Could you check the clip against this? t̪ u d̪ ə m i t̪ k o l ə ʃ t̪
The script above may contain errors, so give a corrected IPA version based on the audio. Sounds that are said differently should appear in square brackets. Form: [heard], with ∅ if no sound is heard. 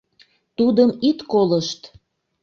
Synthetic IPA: t̪ u d̪ ə m i t̪ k o l ə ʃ t̪